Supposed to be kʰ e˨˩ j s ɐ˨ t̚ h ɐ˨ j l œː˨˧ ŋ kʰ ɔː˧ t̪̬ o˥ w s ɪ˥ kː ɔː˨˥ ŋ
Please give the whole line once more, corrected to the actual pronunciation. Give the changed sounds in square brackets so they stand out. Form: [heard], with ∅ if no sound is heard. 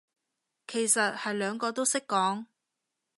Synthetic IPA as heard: kʰ e˨˩ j s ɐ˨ t̚ h ɐ˨ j l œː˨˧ ŋ [k] ɔː˧ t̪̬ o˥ w s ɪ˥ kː ɔː˨˥ ŋ